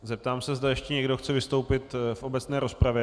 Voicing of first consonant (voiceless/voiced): voiced